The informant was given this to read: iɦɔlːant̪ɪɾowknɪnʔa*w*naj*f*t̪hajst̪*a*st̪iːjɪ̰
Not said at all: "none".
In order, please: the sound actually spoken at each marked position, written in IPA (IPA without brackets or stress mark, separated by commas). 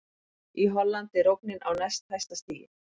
w, s, a